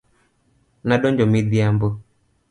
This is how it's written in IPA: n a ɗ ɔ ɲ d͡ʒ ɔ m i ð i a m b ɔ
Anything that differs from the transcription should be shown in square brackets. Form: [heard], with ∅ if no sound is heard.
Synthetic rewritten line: n a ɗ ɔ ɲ d͡ʒ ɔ m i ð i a m b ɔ